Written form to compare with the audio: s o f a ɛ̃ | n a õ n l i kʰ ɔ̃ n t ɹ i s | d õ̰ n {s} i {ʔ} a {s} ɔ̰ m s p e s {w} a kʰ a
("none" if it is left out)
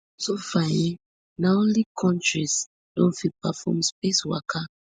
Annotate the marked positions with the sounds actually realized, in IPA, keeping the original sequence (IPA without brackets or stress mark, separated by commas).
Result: f, p, f, w